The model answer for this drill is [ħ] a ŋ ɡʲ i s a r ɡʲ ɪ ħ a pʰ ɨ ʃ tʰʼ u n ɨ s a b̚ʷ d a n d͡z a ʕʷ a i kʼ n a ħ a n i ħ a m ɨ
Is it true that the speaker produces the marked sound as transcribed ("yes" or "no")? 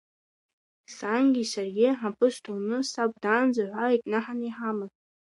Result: no